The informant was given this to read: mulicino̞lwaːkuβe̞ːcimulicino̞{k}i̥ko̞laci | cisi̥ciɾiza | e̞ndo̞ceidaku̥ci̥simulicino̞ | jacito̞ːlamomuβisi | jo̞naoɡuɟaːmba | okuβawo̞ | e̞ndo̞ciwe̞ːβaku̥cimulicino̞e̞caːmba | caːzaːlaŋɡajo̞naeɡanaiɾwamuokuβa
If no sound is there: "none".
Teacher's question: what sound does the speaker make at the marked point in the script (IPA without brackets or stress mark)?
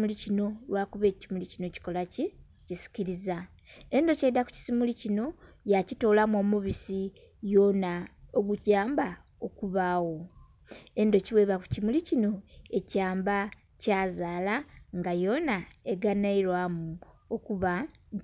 c